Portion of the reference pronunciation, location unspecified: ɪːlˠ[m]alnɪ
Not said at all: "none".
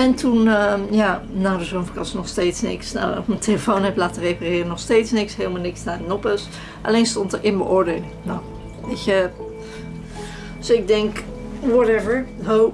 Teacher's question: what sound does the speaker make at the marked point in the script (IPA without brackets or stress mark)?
m